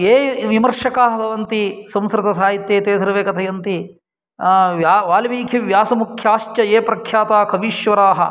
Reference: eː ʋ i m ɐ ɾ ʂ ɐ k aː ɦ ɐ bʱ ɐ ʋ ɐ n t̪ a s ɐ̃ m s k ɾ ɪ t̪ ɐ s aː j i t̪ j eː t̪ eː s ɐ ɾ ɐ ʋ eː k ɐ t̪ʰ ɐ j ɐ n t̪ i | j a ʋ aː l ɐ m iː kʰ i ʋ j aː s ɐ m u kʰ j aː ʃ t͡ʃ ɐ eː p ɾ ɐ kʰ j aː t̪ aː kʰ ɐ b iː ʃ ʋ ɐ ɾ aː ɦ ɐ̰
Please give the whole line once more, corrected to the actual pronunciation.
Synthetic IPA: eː ʋ i m ɐ ɾ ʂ ɐ k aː ɦ ɐ bʱ ɐ ʋ ɐ n t̪ i s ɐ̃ m s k ɾ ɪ t̪ ɐ s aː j i t̪ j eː t̪ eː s ɐ ɾ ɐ ʋ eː k ɐ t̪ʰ ɐ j ɐ n t̪ i | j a ʋ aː l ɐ m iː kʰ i ʋ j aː s ɐ m u kʰ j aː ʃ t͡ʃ ɐ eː p ɾ ɐ kʰ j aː t̪ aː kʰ ɐ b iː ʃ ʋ ɐ ɾ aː ɦ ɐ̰

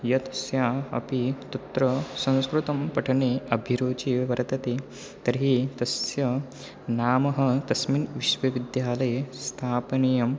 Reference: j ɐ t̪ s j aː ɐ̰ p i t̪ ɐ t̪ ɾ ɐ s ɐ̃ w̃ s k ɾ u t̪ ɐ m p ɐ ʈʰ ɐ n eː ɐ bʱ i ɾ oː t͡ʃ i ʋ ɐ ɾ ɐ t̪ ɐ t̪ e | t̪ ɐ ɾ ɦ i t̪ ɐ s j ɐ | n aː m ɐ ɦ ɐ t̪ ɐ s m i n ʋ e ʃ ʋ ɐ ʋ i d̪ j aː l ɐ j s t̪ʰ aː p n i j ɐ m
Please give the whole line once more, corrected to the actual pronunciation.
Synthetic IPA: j ɐ t̪ s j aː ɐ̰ p i t̪ ɐ t̪ ɾ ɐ s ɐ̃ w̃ s k ɾ u t̪ ɐ m p ɐ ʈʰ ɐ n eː ɐ bʱ i ɾ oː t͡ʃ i ʋ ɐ ɾ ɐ t̪ ɐ t̪ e | t̪ ɐ ɾ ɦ i t̪ ɐ s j ɐ | n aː m ɐ ɦ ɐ t̪ ɐ s m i n ʋ i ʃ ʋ ɐ ʋ i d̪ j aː l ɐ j s t̪ʰ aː p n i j ɐ m

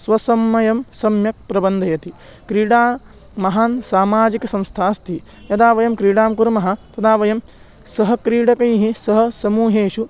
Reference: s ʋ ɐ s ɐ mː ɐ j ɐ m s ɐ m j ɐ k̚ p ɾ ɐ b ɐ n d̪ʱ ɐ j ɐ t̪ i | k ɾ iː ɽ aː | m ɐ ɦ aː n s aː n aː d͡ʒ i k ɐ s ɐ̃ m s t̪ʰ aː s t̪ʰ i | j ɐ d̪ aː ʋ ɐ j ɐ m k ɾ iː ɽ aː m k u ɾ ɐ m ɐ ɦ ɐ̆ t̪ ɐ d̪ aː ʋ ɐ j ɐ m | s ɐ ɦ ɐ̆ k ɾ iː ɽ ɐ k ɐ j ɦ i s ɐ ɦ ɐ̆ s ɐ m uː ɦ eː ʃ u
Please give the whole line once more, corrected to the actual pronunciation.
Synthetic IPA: s ʋ ɐ s ɐ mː ɐ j ɐ m s ɐ m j ɐ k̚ p ɾ ɐ b ɐ n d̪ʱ ɐ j ɐ t̪ i | k ɾ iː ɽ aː | m ɐ ɦ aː n s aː m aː d͡ʒ i k ɐ s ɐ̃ m s t̪ʰ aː s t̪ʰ i | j ɐ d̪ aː ʋ ɐ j ɐ m k ɾ iː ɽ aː m k u ɾ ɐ m ɐ ɦ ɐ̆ t̪ ɐ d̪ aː ʋ ɐ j ɐ m | s ɐ ɦ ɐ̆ k ɾ iː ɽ ɐ k ɐ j ɦ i s ɐ ɦ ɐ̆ s ɐ m uː ɦ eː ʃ u

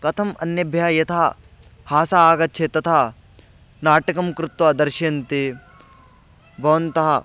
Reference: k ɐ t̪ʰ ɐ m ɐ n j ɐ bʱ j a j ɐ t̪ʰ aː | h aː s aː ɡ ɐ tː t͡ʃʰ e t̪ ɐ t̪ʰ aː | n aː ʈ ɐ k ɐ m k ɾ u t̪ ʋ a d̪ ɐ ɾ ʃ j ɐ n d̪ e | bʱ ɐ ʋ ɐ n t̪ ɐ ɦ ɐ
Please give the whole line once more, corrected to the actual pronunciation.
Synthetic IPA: k ɐ t̪ʰ ɐ m ɐ n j ɐ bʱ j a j ɐ t̪ʰ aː | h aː s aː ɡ ɐ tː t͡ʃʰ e t̪ ɐ t̪ʰ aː | n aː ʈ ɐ k ɐ m k ɾ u t̪ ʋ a d̪ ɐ ɾ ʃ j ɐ n t̪ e | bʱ ɐ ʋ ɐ n t̪ ɐ ɦ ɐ

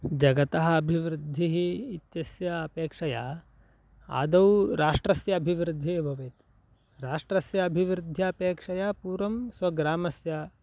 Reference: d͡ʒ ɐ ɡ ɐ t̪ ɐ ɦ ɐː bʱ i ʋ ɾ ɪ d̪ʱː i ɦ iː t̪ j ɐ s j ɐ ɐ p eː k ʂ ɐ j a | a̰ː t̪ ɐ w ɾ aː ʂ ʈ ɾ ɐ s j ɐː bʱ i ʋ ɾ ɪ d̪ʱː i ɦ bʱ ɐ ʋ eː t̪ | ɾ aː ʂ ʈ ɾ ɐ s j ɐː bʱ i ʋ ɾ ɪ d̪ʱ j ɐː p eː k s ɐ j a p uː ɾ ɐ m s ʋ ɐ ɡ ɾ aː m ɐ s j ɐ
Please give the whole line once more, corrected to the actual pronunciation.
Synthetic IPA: d͡ʒ ɐ ɡ ɐ t̪ ɐ ɦ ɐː bʱ i ʋ ɾ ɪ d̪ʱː i ɦ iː t̪ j ɐ s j ɐ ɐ p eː k ʂ ɐ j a | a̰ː d̪ ɐ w ɾ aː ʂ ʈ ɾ ɐ s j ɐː bʱ i ʋ ɾ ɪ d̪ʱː i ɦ bʱ ɐ ʋ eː t̪ | ɾ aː ʂ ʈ ɾ ɐ s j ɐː bʱ i ʋ ɾ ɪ d̪ʱ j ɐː p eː k ʂ ɐ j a p uː ɾ ɐ m s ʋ ɐ ɡ ɾ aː m ɐ s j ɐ

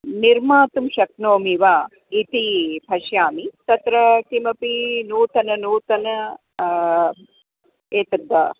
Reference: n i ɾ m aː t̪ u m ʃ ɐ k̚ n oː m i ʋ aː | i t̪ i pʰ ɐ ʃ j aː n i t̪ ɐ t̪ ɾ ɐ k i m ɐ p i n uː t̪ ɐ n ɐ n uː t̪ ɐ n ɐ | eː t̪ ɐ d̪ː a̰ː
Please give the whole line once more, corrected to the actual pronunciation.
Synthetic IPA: n i ɾ m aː t̪ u m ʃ ɐ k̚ n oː m i ʋ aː | i t̪ i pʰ ɐ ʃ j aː m i t̪ ɐ t̪ ɾ ɐ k i m ɐ p i n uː t̪ ɐ n ɐ n uː t̪ ɐ n ɐ | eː t̪ ɐ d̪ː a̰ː

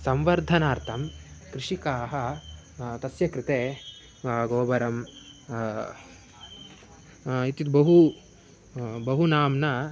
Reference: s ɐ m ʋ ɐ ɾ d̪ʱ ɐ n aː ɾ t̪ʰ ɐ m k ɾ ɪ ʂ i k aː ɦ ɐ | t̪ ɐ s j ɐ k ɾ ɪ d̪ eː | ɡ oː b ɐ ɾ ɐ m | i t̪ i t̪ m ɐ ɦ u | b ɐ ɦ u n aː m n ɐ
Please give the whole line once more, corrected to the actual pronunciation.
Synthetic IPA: s ɐ m ʋ ɐ ɾ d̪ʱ ɐ n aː ɾ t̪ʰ ɐ m k ɾ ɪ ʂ i k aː ɦ ɐ | t̪ ɐ s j ɐ k ɾ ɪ t̪ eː | ɡ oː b ɐ ɾ ɐ m | i t̪ i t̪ b ɐ ɦ u | b ɐ ɦ u n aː m n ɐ

